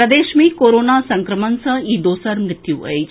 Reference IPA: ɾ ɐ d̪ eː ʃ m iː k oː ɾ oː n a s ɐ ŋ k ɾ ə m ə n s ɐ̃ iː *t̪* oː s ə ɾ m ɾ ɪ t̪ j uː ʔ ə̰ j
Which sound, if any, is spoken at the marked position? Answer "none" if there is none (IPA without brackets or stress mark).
d̪